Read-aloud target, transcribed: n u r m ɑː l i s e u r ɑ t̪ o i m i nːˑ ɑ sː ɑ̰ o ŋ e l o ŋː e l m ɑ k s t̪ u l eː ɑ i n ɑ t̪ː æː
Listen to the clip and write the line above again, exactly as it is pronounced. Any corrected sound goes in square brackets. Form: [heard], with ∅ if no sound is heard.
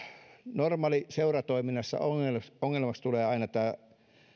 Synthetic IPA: n [o] r m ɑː l i s e u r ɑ t̪ o i m i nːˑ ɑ sː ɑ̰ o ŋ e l o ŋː e l m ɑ k s t̪ u l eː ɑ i n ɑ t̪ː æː